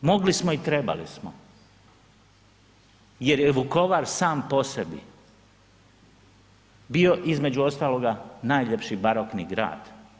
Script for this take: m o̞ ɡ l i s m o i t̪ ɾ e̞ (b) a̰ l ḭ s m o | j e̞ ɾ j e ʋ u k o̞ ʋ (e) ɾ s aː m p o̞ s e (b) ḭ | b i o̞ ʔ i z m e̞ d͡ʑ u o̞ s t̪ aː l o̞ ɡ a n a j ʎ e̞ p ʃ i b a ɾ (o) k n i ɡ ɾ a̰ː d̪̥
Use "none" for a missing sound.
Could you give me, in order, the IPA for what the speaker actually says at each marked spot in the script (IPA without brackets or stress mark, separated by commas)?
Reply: b, a, b, o